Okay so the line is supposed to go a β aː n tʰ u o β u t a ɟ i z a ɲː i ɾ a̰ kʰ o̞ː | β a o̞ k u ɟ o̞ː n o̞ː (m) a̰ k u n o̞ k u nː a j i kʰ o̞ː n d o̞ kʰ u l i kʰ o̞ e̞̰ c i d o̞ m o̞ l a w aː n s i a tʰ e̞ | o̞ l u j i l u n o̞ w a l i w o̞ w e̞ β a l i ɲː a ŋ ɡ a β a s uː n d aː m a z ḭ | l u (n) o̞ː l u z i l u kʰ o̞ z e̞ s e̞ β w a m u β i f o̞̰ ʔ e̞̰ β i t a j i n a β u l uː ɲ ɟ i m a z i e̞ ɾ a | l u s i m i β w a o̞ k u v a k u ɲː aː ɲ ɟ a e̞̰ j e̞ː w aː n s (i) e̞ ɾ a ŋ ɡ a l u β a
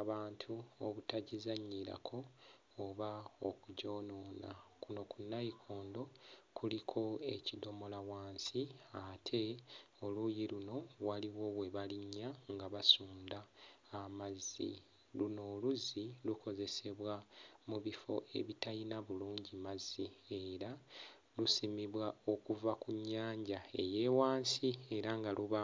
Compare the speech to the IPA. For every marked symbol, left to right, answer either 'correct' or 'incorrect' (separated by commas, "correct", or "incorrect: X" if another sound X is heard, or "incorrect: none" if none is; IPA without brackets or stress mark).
incorrect: n, correct, correct